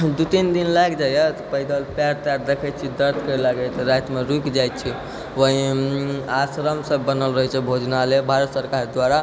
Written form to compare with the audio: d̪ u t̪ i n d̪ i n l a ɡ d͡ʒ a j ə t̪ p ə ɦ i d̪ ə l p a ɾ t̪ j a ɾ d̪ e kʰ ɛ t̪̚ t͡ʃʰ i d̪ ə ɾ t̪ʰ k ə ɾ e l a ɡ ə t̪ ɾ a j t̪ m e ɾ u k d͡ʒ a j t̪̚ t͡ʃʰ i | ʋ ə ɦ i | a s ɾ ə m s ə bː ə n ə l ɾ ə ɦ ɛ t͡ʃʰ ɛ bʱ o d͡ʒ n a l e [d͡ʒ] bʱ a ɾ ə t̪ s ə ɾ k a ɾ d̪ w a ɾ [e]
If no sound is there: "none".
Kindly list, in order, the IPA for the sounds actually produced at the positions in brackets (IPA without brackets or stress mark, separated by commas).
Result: none, a